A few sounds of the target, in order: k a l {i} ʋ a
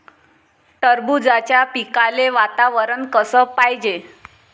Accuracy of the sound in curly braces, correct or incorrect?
incorrect